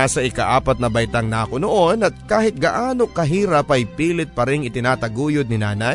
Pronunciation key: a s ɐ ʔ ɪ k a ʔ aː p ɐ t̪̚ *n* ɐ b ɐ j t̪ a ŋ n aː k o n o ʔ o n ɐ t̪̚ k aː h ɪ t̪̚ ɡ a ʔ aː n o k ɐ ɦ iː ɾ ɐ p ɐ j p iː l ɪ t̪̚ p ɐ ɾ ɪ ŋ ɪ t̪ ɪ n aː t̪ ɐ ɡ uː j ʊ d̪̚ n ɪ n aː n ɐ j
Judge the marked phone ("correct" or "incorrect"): correct